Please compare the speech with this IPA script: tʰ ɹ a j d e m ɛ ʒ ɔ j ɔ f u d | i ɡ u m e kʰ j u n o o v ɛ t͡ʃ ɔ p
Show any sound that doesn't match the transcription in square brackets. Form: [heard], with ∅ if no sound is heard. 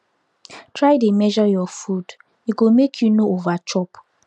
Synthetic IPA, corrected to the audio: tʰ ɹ a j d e m ɛ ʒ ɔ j ɔ f u d | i ɡ [o] m e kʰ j u n o o v [a] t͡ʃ ɔ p